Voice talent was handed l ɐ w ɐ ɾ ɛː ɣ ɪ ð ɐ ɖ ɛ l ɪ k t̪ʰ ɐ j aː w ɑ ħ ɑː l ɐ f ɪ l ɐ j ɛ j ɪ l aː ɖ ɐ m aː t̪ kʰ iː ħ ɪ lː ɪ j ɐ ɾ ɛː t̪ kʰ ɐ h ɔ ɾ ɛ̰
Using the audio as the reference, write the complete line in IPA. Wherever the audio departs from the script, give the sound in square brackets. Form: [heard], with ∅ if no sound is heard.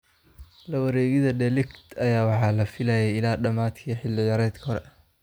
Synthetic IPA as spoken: l ɐ w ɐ ɾ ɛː ɣ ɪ ð ɐ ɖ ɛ l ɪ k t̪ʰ ɐ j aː w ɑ ħ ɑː l ɐ f ɪ l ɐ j ɛ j ɪ l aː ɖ ɐ m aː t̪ kʰ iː ħ ɪ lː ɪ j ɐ ɾ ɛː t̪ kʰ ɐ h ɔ ɾ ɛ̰